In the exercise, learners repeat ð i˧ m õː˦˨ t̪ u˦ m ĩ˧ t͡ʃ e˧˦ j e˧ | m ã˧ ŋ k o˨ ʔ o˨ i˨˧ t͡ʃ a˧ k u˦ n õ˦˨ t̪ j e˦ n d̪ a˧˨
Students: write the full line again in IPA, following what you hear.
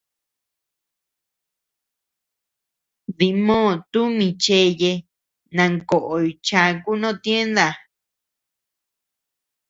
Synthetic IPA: ð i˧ m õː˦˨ t̪ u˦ m ĩ˧ t͡ʃ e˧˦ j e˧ | n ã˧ ŋ k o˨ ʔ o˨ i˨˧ t͡ʃ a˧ k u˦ n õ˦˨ t̪ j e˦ n d̪ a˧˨